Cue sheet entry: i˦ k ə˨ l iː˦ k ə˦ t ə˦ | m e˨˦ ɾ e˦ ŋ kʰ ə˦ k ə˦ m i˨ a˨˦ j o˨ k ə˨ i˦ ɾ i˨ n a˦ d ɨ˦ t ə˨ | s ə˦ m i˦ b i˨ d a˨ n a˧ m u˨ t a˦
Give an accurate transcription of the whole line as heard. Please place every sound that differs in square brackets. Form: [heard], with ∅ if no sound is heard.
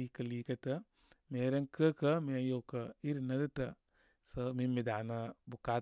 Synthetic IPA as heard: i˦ k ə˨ l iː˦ k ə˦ t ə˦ | m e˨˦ ɾ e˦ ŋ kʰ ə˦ k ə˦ m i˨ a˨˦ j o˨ k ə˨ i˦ ɾ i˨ n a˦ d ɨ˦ t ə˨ | s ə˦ m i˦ [m] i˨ d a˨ n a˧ [b] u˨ [k] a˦